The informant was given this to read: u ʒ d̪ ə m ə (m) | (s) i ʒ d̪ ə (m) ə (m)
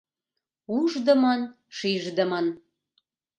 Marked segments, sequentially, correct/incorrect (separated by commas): incorrect, incorrect, correct, incorrect